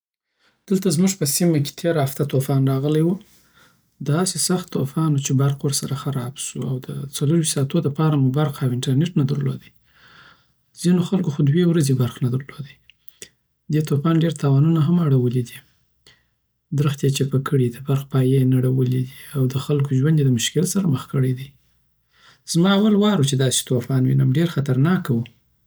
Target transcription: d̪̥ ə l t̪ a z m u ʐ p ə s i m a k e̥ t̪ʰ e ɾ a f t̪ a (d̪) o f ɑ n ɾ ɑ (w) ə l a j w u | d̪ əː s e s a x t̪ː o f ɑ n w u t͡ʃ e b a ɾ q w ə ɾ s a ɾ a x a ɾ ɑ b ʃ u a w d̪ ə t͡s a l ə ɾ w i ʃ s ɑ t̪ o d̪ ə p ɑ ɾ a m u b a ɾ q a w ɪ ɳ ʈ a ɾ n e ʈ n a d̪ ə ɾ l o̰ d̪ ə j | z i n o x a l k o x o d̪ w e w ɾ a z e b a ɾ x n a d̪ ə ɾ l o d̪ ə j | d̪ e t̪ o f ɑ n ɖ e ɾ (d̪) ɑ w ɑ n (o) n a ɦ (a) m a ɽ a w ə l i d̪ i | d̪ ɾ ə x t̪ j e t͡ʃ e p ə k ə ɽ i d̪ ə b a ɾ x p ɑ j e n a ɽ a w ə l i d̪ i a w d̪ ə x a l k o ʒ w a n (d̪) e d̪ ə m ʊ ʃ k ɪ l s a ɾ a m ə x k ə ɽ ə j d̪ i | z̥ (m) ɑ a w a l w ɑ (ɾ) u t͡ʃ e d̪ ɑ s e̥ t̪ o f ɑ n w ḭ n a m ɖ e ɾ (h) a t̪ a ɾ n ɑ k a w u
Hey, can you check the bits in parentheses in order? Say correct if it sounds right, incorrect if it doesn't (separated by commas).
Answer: incorrect, incorrect, incorrect, incorrect, correct, correct, correct, correct, incorrect